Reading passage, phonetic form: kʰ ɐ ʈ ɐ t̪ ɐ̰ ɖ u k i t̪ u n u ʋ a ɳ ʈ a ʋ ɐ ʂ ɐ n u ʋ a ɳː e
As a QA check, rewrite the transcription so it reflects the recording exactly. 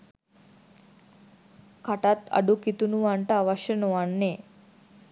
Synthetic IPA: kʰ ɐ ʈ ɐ t̪ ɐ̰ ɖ u k i t̪ u n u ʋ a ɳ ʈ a ʋ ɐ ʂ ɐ n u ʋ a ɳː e